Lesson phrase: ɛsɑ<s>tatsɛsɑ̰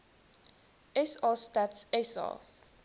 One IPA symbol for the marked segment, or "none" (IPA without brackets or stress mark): s